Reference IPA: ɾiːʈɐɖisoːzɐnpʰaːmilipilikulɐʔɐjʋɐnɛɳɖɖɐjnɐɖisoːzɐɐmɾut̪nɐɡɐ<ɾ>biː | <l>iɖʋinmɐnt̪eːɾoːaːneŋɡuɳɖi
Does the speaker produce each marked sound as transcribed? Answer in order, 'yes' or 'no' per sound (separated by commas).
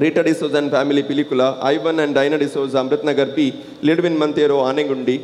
yes, yes